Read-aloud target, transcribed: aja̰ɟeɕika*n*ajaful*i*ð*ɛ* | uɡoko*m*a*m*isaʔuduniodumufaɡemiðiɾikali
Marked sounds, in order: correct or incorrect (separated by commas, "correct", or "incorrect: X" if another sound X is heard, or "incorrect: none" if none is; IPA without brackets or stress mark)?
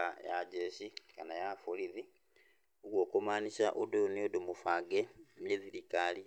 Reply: correct, correct, incorrect: i, correct, incorrect: n